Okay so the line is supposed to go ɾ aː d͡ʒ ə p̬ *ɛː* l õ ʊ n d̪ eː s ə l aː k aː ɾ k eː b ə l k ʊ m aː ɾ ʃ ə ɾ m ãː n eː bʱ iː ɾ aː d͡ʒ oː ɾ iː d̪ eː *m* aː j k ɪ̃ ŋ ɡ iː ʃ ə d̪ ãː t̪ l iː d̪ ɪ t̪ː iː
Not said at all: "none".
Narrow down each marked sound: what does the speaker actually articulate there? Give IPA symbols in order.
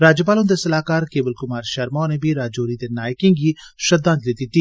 aː, n

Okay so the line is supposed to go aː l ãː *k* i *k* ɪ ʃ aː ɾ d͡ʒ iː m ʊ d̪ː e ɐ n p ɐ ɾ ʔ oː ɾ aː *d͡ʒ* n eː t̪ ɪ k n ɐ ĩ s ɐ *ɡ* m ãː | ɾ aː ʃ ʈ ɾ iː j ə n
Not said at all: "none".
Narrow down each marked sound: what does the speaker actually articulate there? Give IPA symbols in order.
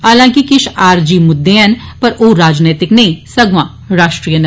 k, k, d͡ʒ, ɡ

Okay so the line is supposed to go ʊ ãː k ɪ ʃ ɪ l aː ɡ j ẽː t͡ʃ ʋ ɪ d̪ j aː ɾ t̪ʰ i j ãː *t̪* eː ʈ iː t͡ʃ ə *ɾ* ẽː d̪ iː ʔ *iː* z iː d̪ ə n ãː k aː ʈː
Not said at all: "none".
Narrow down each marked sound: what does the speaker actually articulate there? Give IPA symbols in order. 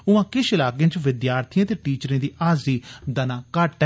t̪, ɾ, aː

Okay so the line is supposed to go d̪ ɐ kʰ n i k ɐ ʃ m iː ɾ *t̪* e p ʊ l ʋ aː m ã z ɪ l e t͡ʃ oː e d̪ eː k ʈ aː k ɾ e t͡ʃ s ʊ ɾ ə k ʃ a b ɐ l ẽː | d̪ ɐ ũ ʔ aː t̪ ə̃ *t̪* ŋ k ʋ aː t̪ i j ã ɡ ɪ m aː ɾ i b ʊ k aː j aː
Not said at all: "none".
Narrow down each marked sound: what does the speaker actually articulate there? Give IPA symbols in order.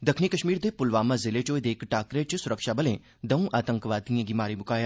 d̪, none

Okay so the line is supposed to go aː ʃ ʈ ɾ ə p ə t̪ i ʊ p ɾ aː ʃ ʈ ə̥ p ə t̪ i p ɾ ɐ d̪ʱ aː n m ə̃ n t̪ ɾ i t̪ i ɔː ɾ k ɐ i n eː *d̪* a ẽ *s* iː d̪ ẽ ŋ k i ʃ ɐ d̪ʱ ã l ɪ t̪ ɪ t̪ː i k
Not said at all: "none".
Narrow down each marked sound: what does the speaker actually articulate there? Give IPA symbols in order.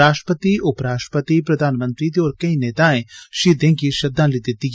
t̪, ʃ

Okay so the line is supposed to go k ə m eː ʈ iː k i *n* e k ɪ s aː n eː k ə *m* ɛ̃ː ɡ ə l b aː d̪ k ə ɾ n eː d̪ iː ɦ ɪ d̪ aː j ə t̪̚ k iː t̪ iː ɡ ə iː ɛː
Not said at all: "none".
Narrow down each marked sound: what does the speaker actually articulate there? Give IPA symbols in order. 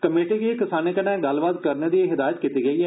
none, n

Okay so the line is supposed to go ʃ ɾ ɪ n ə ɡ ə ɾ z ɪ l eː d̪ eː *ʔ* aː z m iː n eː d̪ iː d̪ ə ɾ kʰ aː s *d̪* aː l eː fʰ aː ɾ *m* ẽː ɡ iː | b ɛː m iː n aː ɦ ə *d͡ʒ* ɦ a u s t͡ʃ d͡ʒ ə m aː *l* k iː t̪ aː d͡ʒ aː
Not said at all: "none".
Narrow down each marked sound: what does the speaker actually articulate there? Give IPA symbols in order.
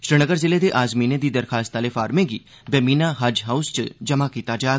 ʔ, t̪, m, d͡ʒ, none

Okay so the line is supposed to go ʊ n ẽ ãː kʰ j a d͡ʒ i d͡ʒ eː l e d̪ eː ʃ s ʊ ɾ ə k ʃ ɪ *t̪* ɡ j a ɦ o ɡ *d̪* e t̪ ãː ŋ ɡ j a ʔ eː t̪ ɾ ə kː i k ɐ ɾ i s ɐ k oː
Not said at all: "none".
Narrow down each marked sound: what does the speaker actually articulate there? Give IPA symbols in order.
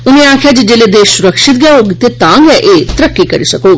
t̪, t̪

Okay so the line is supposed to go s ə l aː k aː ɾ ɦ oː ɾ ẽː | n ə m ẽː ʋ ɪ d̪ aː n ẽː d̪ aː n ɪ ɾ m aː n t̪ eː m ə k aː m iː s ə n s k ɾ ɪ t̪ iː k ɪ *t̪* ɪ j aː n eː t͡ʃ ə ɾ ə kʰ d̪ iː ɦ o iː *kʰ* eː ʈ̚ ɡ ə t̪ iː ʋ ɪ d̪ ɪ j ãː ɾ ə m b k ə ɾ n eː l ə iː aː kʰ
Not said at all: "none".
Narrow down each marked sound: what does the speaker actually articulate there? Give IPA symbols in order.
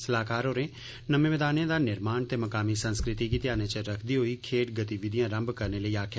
t̪, kʰ

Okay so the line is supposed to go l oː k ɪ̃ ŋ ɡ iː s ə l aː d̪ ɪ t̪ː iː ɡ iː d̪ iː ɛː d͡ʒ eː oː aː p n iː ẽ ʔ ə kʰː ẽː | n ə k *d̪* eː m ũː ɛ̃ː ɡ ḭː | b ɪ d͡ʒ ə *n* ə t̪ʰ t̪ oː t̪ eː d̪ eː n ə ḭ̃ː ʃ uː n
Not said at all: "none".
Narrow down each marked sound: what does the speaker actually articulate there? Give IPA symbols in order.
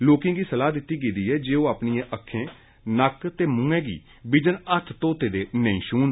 t̪, n

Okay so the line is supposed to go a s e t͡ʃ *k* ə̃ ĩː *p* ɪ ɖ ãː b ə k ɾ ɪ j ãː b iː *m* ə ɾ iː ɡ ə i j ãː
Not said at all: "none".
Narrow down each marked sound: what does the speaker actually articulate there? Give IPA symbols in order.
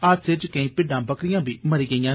k, p, m

